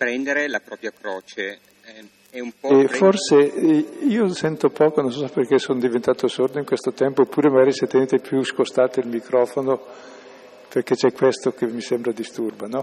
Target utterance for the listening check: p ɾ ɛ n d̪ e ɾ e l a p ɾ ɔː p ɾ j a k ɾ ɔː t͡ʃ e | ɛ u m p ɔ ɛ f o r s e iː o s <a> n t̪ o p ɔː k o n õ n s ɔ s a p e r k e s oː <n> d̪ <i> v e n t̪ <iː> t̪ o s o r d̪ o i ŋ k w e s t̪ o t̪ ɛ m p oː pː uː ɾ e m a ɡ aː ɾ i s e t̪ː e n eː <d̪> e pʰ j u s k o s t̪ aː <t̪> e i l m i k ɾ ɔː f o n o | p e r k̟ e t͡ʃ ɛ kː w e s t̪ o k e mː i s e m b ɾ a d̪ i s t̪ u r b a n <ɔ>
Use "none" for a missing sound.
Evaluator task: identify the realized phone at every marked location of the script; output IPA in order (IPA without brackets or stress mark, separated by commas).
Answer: ɛ, n, i, aː, t̪, t̪, ɔ